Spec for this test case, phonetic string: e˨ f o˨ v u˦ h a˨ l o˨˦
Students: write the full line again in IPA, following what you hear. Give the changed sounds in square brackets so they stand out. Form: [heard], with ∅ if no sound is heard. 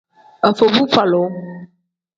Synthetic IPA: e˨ f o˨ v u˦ [f] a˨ l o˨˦